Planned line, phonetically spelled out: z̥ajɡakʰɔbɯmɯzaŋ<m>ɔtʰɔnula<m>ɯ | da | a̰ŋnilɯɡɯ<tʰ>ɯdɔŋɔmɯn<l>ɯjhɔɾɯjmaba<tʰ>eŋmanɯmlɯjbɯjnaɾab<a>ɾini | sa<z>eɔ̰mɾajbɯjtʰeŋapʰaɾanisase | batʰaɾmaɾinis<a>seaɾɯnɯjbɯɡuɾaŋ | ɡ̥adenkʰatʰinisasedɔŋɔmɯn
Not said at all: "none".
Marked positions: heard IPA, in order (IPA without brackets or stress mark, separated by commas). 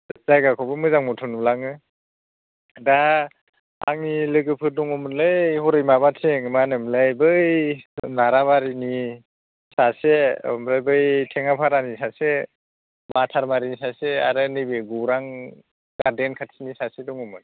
m, ŋ, pʰ, l, tʰ, a, s, a